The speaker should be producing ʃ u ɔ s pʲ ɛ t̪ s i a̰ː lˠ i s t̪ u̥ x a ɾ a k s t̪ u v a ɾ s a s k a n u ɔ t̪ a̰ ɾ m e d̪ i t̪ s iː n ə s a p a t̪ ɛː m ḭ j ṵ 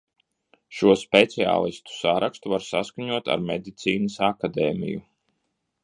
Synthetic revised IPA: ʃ u ɔ s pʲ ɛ t̪ s i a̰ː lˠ i s t̪ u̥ s a ɾ a k s t̪ u v a ɾ s a s k a ɲ u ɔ t̪ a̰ ɾ m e d̪ i t̪ s iː n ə s a k a d̪ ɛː m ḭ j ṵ